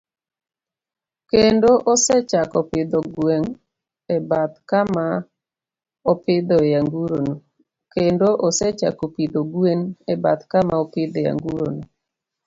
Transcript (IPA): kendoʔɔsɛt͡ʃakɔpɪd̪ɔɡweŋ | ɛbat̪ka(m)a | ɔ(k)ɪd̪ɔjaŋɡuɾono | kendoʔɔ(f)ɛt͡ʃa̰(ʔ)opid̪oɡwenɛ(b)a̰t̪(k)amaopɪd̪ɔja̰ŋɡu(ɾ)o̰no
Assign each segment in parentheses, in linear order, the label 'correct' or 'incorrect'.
correct, incorrect: p, incorrect: s, incorrect: k, correct, correct, correct

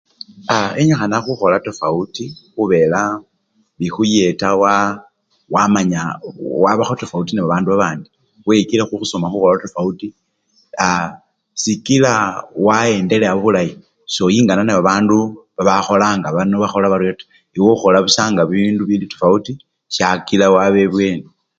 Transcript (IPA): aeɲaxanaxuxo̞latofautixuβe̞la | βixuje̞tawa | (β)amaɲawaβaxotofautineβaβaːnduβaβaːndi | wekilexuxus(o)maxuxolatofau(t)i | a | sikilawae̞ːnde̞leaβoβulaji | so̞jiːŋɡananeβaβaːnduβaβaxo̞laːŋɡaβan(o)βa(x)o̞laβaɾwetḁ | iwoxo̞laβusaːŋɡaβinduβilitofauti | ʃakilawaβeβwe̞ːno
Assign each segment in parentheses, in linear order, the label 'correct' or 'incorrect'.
incorrect: w, correct, correct, correct, correct

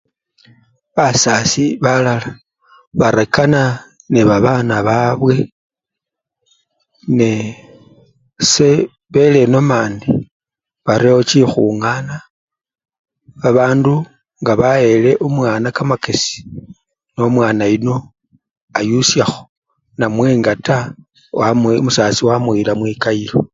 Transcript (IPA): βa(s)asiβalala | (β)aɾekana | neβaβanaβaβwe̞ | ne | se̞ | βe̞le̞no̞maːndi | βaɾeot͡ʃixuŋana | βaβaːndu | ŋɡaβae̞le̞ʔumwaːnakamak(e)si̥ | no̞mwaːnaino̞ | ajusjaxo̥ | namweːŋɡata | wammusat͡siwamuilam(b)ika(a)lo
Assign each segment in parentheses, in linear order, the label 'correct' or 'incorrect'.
correct, correct, correct, incorrect: w, incorrect: i

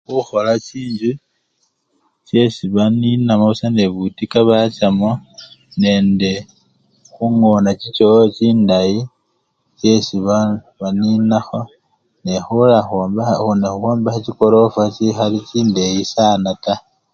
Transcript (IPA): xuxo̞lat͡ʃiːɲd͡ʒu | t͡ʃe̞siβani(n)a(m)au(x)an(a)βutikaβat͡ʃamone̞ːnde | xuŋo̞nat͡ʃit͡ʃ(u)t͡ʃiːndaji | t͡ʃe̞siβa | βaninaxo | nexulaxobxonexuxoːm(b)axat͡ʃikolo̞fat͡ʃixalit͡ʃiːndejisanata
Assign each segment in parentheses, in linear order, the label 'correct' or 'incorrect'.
correct, correct, incorrect: s, incorrect: e, incorrect: o, correct

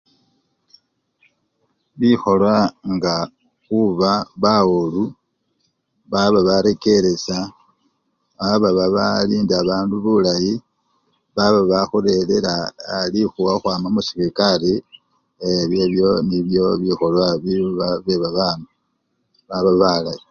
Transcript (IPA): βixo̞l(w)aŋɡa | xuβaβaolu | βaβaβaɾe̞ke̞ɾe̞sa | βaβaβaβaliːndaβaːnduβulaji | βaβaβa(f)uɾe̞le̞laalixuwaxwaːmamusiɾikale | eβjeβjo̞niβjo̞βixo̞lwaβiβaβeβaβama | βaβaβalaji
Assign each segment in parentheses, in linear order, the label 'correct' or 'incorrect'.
correct, incorrect: x

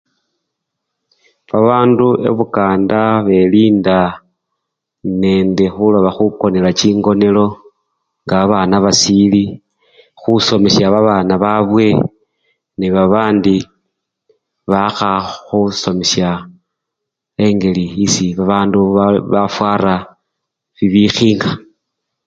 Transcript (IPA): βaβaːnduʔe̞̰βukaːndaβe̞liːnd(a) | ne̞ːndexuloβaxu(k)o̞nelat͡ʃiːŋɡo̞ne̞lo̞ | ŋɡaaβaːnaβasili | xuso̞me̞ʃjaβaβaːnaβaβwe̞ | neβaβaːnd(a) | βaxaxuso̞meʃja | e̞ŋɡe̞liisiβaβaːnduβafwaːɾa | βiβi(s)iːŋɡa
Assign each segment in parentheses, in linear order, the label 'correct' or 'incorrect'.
correct, correct, incorrect: i, incorrect: x

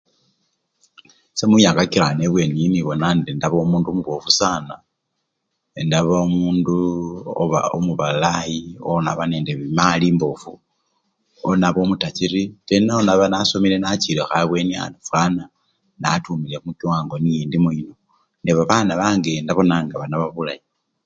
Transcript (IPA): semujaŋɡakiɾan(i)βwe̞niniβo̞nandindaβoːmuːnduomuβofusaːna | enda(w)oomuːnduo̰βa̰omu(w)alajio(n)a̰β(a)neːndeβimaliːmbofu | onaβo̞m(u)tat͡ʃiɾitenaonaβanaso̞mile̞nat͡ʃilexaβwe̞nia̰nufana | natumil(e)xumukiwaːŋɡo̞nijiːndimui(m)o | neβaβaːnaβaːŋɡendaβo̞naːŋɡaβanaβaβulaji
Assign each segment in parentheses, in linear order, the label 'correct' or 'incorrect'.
incorrect: e, incorrect: β, incorrect: β, correct, correct, correct, correct, incorrect: n

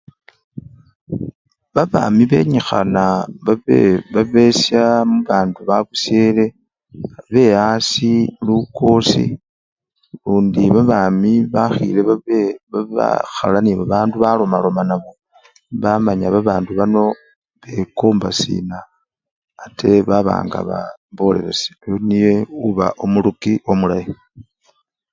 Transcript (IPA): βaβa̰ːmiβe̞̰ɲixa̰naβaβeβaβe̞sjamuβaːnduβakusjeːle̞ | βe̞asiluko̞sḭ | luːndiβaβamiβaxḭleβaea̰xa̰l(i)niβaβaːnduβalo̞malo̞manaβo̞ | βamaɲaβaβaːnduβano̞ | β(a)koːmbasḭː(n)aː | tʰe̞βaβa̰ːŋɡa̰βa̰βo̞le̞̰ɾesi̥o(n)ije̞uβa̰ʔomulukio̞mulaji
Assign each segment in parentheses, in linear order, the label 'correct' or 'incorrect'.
incorrect: a, incorrect: e, correct, correct

